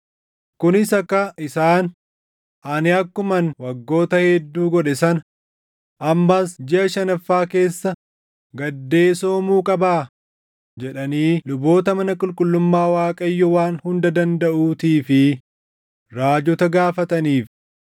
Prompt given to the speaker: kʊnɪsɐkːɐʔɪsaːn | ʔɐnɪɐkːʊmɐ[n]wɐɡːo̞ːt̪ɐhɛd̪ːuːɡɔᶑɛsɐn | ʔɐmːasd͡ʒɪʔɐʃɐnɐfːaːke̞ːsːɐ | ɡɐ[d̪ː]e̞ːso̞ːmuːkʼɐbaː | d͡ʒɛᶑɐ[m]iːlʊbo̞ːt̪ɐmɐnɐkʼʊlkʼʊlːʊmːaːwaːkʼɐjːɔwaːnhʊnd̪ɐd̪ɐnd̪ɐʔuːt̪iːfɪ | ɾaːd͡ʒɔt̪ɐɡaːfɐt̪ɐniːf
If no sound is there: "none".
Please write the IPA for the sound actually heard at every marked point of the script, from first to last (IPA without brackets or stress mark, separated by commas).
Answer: n, d̪ː, n